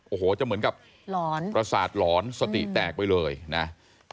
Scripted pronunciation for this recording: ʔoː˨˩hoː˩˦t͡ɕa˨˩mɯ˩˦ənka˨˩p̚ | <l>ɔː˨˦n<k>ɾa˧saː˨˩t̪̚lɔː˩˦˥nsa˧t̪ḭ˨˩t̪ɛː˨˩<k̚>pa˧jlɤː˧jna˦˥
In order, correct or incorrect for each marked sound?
correct, incorrect: p, correct

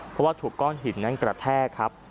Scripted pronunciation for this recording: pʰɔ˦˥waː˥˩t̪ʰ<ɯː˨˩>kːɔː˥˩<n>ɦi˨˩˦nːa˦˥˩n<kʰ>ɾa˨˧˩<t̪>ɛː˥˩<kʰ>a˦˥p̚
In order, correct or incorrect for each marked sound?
incorrect: uː˨˩, correct, incorrect: k, incorrect: t̪ʰ, correct

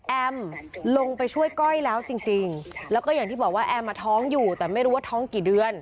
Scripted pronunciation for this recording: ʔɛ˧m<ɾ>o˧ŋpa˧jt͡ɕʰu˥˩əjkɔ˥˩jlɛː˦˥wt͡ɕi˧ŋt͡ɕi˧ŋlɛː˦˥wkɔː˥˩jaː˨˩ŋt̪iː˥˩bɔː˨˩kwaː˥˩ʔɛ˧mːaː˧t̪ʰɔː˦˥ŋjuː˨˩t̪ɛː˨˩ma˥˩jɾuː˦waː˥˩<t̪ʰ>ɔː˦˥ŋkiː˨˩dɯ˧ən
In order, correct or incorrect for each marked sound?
incorrect: l, correct

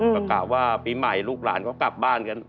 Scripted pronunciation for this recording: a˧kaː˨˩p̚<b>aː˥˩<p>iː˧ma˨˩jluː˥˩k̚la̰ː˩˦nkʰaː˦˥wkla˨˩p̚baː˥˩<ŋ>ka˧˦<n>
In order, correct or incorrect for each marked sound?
incorrect: w, correct, incorrect: n, correct

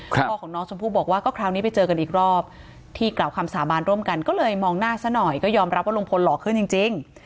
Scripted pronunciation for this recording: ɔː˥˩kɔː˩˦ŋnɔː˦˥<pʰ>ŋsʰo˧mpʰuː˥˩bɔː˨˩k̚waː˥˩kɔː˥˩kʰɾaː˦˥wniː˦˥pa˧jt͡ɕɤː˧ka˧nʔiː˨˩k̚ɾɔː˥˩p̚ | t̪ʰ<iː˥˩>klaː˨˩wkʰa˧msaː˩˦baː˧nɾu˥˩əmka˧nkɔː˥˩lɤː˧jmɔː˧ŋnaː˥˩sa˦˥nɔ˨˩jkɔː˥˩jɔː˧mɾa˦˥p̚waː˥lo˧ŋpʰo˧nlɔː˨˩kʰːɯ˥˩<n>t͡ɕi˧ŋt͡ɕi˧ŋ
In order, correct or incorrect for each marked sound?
incorrect: none, correct, correct

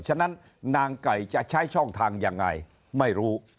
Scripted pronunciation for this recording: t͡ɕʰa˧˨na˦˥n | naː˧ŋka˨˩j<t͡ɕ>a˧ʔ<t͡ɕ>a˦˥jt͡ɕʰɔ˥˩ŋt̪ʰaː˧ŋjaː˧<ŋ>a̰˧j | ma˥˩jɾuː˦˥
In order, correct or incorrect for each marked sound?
correct, incorrect: t͡ɕʰ, incorrect: ŋː

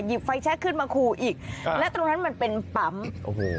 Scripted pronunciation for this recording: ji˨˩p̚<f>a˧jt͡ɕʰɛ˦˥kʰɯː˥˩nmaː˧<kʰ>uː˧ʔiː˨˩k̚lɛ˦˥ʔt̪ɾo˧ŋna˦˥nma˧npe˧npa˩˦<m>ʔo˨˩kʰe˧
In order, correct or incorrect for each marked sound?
correct, correct, correct

